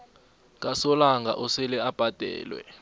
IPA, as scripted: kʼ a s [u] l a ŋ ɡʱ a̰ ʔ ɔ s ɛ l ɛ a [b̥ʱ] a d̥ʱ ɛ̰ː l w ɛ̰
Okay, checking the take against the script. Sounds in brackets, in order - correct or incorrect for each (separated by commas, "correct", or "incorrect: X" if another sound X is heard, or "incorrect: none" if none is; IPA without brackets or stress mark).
incorrect: ɔ, correct